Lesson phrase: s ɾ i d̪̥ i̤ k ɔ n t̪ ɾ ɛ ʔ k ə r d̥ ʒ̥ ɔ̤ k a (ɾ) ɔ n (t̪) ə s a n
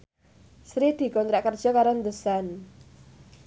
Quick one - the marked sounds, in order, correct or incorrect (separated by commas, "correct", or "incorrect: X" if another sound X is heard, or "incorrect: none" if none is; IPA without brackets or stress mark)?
correct, incorrect: d̪